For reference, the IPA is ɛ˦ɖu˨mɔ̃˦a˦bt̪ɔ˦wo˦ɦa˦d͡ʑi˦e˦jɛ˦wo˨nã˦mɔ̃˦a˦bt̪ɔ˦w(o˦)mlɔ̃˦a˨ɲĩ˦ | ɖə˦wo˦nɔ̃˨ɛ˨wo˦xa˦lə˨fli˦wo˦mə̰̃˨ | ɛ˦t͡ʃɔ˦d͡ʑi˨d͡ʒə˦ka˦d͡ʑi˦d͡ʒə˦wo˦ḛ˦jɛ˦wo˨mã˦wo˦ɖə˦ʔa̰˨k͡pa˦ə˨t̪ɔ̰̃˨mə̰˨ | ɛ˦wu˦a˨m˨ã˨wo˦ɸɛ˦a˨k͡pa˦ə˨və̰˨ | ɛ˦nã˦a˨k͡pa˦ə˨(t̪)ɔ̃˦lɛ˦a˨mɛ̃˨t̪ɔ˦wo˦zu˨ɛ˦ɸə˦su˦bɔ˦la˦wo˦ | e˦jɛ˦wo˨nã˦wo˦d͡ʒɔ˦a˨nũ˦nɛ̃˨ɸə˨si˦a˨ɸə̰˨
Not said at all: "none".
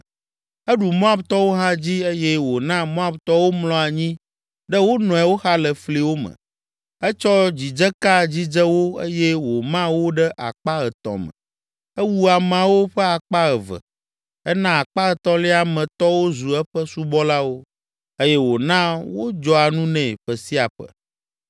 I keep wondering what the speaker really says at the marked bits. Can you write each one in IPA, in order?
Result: o˦, t̪

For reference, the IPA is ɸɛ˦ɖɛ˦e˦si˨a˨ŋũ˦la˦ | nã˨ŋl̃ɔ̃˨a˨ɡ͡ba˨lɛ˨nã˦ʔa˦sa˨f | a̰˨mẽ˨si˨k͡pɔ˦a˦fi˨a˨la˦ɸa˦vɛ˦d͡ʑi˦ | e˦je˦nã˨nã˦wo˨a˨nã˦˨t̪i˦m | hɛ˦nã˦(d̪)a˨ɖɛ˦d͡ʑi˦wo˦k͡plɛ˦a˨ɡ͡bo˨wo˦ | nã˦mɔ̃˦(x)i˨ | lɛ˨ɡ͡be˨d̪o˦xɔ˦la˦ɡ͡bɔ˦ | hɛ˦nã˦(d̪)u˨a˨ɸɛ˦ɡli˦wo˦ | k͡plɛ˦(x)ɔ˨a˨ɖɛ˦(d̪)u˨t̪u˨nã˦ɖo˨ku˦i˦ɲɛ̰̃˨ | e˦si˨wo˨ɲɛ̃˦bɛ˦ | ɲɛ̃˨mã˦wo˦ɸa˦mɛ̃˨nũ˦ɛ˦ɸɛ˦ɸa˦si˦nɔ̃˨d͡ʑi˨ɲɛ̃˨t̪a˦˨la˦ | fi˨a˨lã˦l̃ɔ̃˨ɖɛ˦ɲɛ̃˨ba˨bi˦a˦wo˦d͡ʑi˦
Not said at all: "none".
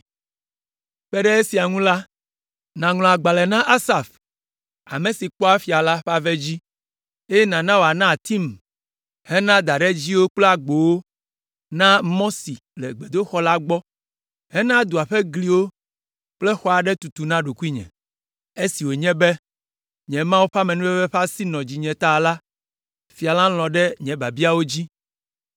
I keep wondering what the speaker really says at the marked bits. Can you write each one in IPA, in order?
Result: d̪, s, d̪, x, t̪

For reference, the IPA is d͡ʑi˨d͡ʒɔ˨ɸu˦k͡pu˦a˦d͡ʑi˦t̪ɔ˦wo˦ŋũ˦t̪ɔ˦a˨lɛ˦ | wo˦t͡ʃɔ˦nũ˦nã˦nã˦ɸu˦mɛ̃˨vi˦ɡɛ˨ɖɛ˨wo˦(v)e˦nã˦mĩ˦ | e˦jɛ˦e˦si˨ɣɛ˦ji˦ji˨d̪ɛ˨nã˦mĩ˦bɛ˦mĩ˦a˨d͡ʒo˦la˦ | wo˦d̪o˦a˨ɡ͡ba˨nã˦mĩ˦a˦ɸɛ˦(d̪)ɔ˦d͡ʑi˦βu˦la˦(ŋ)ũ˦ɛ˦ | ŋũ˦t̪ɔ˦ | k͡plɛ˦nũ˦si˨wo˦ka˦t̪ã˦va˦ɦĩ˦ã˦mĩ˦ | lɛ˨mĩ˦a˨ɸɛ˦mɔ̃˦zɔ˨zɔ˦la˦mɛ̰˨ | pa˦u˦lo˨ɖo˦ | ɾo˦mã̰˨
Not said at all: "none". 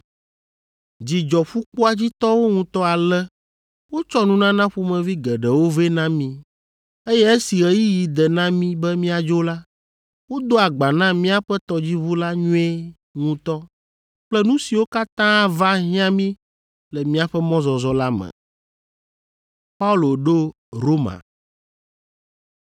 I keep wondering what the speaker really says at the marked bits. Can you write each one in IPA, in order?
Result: v, t̪, ɲ

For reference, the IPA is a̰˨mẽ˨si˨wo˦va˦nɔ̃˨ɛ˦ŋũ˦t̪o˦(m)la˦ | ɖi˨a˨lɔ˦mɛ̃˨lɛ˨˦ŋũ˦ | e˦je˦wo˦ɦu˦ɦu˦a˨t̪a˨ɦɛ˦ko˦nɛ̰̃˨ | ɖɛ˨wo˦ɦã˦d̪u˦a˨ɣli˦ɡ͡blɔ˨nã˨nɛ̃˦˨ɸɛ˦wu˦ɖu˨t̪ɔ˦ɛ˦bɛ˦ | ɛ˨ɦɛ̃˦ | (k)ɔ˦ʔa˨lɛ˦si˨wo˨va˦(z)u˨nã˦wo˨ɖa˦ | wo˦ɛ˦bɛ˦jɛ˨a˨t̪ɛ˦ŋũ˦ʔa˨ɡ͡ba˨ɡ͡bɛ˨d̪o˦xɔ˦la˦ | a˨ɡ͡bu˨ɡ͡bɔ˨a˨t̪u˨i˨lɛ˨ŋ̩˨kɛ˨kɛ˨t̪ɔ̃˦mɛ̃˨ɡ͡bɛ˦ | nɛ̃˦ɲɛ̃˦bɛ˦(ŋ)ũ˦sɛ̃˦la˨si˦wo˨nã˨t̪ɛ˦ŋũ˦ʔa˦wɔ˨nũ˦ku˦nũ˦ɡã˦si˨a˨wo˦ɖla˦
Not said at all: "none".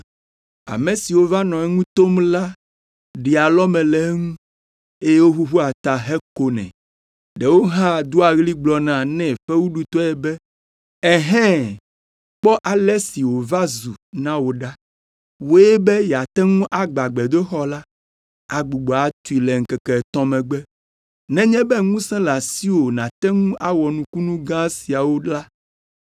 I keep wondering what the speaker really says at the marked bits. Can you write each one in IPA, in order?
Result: m, k͡p, z, ŋ

